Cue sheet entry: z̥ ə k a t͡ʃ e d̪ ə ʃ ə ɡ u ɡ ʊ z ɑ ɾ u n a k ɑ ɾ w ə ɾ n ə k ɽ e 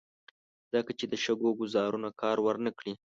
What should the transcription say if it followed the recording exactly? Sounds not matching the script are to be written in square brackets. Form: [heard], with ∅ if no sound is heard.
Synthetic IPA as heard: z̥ ə k a t͡ʃ e d̪ ə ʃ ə ɡ [o] ɡ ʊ z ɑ ɾ u n a k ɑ ɾ w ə ɾ n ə k ɽ [i]

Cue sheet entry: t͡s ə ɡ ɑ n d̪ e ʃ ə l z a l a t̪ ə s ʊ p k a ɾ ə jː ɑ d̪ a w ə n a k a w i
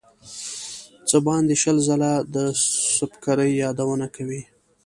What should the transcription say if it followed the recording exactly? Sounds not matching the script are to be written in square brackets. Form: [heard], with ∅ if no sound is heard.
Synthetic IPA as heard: t͡s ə [b] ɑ n d̪ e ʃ ə l z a l a [d̪] ə s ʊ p k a ɾ ə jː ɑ d̪ a w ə n a k a w i

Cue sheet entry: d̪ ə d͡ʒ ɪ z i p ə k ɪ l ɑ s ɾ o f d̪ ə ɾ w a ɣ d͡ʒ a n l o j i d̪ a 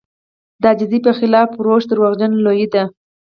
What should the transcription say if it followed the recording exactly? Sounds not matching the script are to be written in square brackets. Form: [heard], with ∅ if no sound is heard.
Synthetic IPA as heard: d̪ [ɑ] d͡ʒ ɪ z i p ə [x] ɪ l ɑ [f] ɾ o [ʃ] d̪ ə ɾ w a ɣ d͡ʒ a n l o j i d̪ a

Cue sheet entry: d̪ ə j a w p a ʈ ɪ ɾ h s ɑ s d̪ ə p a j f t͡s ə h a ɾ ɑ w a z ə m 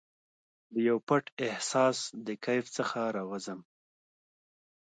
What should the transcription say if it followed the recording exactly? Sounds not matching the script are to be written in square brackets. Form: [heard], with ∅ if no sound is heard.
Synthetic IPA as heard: d̪ ə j a w p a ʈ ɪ [∅] h s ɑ s d̪ ə [k] a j f t͡s ə [x] a ɾ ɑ w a z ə m

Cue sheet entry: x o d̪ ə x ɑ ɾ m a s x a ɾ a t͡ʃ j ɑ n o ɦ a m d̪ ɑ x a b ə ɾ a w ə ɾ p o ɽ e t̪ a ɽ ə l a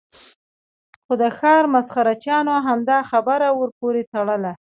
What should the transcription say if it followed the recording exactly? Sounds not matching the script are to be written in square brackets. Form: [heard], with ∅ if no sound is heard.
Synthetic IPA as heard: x o d̪ ə x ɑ ɾ m a s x a ɾ a t͡ʃ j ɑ n o ɦ a m d̪ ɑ x a b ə ɾ a w ə ɾ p o [ɾ] e t̪ a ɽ ə l a

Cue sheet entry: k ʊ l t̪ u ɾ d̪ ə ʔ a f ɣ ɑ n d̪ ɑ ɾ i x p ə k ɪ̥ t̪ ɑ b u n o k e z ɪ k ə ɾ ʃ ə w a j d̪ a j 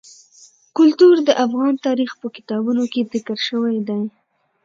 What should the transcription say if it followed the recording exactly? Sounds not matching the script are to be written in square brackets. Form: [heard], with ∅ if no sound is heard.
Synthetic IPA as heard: k ʊ l t̪ u ɾ d̪ ə ʔ a f ɣ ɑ n [t̪] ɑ ɾ i x p ə k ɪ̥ t̪ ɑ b u n o k e z ɪ k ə ɾ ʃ ə w a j d̪ a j

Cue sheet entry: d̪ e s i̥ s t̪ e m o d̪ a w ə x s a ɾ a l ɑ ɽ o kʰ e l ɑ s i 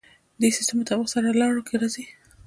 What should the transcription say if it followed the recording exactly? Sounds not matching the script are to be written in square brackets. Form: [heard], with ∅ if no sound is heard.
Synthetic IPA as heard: d̪ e s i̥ s t̪ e m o [t̪] a w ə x s a ɾ a l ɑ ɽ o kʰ e [ɾ] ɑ [z] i

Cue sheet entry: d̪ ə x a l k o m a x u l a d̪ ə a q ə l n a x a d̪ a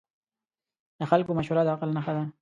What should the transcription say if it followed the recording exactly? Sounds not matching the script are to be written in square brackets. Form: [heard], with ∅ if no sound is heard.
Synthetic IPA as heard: d̪ ə x a l k o m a [ʃ] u [ɾ] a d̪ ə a q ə l n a x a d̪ a

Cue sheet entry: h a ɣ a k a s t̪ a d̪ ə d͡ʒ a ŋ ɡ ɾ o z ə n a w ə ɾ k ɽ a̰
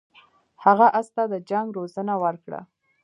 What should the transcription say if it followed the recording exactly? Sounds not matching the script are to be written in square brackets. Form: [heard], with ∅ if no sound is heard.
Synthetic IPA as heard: h a ɣ a [ʔ] a s t̪ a d̪ ə d͡ʒ a ŋ ɡ ɾ o z ə n a w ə ɾ k ɽ a̰

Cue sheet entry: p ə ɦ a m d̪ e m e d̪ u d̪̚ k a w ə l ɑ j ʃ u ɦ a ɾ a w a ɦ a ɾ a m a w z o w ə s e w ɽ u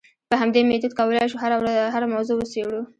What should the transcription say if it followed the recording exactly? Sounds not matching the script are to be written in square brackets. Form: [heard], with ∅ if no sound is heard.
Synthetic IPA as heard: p ə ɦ a m d̪ e m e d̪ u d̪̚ k a w ə l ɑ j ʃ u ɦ a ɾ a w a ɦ a ɾ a m a w z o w ə s e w ɽ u

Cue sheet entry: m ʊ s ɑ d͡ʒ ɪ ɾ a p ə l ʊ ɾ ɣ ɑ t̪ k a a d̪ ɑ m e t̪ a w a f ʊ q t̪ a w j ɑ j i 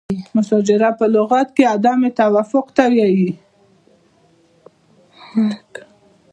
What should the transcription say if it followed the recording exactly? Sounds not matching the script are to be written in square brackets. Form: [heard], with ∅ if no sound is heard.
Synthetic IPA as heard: m ʊ s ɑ d͡ʒ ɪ ɾ a p ə l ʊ [∅] ɣ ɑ t̪ k [e] a d̪ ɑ m e t̪ a w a f ʊ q t̪ a w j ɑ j i

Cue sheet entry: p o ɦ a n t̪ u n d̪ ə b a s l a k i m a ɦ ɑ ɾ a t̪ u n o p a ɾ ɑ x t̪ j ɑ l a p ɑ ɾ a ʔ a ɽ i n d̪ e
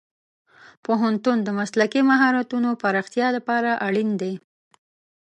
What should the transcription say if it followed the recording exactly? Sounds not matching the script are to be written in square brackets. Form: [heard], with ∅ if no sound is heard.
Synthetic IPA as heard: p o ɦ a n t̪ u n d̪ ə [m] a s l a k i m a ɦ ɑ ɾ a t̪ u n o p a ɾ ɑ x t̪ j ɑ l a p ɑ ɾ a ʔ a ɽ i n d̪ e

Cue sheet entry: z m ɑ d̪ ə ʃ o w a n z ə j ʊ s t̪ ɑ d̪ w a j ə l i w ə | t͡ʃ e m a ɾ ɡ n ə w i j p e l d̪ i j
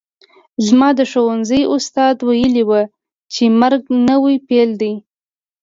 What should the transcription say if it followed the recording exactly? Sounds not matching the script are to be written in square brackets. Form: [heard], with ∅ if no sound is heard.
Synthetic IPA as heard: z m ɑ d̪ ə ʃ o w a n z ə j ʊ s t̪ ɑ d̪ w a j ə l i w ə | t͡ʃ e m a ɾ ɡ n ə w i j p e l d̪ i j

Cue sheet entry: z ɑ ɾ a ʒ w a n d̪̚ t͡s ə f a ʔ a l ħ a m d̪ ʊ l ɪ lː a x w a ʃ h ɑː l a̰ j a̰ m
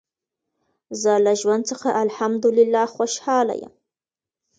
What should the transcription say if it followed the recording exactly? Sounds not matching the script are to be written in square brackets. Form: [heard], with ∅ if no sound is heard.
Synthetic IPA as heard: z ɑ [l] a ʒ w a n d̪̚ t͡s ə [x] a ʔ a l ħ a m d̪ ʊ l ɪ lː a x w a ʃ h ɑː l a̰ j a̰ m

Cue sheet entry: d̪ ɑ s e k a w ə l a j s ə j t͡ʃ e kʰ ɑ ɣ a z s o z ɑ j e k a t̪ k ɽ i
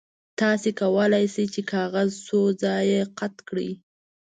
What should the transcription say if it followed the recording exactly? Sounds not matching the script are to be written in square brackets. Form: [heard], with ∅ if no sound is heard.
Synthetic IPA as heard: [t̪] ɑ s e k a w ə l a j s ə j t͡ʃ e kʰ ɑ ɣ a z s o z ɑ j e [q] a t̪ k ɽ i

